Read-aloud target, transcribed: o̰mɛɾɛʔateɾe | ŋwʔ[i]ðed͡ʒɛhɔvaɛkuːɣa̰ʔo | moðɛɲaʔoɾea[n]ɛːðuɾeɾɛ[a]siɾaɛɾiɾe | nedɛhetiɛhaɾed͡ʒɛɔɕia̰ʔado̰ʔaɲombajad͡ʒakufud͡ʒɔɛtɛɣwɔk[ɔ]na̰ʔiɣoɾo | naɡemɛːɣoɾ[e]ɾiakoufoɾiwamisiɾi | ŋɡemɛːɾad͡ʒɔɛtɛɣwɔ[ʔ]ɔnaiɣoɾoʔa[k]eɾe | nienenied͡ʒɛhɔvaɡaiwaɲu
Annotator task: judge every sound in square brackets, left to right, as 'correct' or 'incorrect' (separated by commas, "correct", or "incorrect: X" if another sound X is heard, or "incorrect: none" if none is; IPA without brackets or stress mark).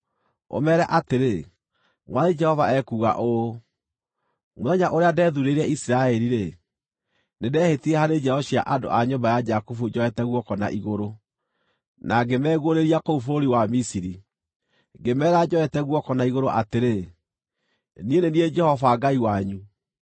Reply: incorrect: a, incorrect: d, incorrect: i, correct, correct, incorrect: k, incorrect: t